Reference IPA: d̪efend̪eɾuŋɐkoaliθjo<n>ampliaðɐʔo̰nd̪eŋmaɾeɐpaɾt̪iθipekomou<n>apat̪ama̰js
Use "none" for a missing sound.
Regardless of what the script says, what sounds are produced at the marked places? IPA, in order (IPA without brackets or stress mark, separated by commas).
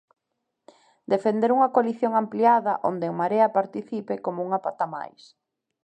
ŋ, ŋ